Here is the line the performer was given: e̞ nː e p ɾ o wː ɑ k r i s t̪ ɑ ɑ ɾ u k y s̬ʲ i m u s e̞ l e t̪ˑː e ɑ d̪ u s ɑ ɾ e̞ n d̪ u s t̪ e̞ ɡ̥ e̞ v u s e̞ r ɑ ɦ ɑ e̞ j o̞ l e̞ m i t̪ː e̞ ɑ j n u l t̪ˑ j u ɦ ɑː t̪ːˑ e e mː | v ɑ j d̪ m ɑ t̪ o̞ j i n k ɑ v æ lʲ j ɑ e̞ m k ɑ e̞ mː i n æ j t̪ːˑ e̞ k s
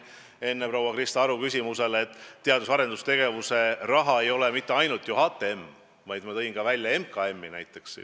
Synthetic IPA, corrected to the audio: e̞ nː e p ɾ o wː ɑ k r i s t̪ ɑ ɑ ɾ u k y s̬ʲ i m u s e̞ l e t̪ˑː e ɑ d̪ u s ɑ ɾ e̞ n d̪ u s t̪ e̞ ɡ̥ e̞ v u s e̞ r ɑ ɦ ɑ e̞ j o̞ l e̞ m i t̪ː e̞ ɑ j n u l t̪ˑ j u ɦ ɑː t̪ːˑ e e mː | v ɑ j d̪ m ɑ t̪ ɤ̞ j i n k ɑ v æ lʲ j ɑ e̞ m k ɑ e̞ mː i n æ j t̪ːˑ e̞ k s